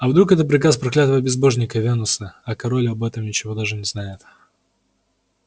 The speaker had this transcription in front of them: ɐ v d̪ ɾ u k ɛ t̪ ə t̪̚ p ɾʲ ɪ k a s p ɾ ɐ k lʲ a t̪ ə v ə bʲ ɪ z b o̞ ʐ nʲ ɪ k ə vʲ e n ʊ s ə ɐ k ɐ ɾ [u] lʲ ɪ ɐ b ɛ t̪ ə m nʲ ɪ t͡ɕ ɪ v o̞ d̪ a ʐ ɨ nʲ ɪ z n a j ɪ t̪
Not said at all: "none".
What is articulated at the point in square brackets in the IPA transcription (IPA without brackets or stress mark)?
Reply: o